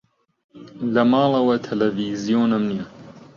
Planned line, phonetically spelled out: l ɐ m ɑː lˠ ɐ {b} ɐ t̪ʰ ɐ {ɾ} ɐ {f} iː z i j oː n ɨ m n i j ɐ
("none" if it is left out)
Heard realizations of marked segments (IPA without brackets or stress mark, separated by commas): w, l, v